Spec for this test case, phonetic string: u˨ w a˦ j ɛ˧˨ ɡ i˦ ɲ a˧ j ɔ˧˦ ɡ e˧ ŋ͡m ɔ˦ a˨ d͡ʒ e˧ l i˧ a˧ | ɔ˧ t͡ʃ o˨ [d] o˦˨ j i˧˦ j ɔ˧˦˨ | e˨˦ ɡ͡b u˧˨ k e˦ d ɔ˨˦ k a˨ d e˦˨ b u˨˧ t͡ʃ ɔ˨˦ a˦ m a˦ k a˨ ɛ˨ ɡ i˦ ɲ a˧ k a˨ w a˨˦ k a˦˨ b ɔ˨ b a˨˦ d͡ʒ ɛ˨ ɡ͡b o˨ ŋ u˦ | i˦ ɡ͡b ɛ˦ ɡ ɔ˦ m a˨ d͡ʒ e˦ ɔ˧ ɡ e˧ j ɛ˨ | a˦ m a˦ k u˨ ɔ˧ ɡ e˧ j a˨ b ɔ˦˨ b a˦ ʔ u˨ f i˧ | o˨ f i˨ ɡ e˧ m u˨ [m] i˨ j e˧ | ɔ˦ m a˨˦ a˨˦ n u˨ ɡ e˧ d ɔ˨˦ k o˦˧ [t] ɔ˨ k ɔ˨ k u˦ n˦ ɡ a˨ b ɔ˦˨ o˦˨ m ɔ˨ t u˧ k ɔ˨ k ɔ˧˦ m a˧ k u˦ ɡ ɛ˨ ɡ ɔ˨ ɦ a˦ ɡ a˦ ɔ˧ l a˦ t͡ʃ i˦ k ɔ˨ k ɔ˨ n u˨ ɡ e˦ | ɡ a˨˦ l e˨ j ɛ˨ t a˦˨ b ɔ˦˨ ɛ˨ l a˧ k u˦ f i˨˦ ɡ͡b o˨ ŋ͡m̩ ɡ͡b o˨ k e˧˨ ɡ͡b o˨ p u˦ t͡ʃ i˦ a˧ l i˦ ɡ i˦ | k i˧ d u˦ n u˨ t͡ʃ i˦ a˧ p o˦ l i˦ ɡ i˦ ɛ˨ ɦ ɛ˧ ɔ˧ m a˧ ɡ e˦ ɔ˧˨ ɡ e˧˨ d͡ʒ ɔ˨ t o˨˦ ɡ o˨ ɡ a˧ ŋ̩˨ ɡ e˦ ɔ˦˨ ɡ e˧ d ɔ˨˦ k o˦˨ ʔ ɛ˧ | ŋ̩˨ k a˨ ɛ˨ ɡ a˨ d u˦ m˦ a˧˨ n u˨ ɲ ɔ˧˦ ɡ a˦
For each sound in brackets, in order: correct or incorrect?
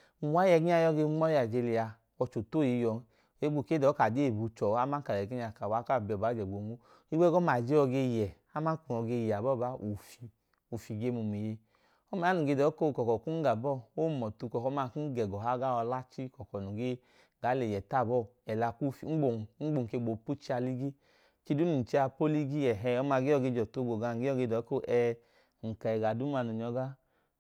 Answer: incorrect: t, correct, incorrect: k

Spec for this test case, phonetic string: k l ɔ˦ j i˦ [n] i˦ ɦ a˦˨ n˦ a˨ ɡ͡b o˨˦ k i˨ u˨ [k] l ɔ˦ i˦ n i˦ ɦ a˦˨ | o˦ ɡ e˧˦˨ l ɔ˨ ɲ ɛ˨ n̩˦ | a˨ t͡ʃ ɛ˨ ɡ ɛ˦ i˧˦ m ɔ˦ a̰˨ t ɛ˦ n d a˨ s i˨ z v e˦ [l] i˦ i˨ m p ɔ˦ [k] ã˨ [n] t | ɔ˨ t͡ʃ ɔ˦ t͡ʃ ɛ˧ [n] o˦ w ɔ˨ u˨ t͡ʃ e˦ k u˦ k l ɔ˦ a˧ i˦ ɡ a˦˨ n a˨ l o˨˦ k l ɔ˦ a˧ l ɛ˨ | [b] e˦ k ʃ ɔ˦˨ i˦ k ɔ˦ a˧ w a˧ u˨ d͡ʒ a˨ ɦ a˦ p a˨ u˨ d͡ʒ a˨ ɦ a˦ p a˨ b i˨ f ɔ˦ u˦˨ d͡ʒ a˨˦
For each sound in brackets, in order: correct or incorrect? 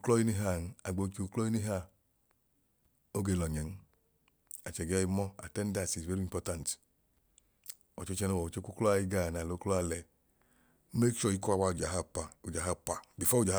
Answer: correct, correct, incorrect: ɾ, incorrect: t, correct, correct, incorrect: m

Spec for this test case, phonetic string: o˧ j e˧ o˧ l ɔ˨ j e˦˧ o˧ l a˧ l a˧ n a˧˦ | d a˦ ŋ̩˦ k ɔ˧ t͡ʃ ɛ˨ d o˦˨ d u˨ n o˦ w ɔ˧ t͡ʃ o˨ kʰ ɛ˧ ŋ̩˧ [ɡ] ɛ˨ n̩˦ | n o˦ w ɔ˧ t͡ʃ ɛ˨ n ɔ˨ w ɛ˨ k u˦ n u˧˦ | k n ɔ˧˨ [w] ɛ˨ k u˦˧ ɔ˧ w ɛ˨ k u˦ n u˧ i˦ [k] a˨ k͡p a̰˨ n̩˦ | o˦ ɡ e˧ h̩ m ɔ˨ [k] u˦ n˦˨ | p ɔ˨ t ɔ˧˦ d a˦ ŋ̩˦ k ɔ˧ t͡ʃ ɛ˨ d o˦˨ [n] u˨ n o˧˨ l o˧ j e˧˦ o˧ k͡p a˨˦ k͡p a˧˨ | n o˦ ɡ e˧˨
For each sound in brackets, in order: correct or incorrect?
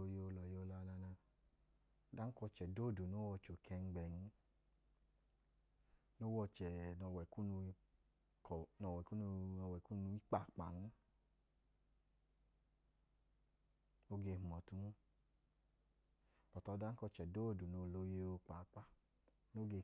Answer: incorrect: ɡ͡b, correct, incorrect: k͡p, incorrect: t, incorrect: d

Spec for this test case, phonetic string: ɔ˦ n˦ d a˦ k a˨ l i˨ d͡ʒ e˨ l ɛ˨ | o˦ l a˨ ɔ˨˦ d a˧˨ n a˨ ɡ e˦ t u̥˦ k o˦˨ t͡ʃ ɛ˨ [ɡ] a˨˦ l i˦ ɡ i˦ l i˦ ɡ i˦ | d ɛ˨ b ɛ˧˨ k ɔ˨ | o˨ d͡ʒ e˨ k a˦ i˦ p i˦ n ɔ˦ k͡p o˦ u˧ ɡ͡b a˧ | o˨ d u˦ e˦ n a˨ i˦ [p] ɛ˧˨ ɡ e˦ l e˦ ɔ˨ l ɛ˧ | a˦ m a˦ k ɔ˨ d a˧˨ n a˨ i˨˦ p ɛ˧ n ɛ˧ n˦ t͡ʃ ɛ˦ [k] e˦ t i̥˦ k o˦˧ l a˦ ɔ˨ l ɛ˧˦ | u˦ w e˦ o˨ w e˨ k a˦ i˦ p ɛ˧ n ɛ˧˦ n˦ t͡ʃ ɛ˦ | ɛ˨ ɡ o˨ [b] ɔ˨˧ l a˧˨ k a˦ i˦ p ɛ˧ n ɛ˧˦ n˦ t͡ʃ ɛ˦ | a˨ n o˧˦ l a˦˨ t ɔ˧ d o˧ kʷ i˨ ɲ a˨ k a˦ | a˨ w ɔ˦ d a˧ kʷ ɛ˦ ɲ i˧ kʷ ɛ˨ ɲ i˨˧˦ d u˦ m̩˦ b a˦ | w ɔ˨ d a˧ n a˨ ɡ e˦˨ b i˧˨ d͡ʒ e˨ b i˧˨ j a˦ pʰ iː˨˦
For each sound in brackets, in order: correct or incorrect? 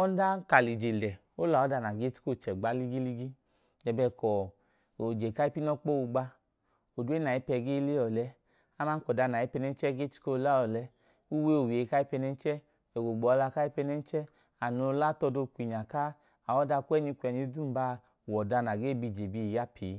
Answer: incorrect: ɡ͡b, correct, incorrect: ɡ, incorrect: ɡ͡b

